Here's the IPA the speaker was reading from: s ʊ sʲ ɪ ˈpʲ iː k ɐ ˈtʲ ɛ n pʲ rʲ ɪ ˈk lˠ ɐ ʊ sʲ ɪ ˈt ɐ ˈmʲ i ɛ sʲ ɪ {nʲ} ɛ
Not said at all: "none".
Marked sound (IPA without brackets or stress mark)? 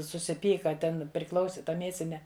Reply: nʲ